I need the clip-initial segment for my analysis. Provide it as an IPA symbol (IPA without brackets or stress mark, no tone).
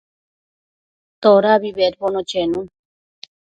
t̪